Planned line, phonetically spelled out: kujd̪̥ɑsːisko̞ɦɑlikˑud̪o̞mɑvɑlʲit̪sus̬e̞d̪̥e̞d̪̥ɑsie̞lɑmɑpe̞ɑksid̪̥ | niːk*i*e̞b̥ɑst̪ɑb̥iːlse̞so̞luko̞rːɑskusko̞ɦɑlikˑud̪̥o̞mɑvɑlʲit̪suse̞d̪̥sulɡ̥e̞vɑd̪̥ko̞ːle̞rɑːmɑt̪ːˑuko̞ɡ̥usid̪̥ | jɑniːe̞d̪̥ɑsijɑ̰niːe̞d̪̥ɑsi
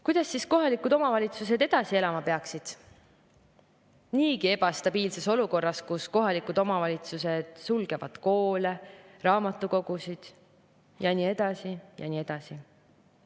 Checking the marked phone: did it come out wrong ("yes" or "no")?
no